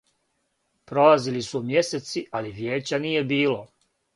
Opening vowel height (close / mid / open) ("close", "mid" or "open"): mid